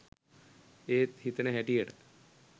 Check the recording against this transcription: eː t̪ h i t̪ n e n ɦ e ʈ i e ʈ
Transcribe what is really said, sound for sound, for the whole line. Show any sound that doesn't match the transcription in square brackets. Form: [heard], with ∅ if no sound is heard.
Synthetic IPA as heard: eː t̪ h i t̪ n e [∅] ɦ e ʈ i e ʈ